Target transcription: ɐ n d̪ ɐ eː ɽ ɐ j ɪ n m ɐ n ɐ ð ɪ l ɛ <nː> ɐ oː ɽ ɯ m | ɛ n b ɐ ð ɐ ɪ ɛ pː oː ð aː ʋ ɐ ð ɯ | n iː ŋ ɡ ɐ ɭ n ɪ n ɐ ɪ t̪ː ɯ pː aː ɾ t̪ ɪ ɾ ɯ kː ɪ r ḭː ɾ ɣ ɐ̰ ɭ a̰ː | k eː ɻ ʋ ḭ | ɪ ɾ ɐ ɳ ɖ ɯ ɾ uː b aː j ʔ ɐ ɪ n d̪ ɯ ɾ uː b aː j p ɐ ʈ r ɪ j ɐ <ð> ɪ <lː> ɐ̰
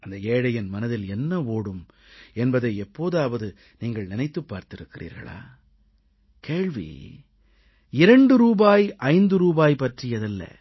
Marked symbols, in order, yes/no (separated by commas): yes, yes, yes